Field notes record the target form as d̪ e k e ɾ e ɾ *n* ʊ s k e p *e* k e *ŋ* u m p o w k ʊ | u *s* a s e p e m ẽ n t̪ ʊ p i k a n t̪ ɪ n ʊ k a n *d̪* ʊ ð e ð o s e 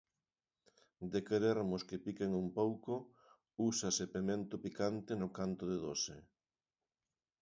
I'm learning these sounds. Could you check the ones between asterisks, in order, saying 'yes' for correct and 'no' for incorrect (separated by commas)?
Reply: no, no, yes, yes, no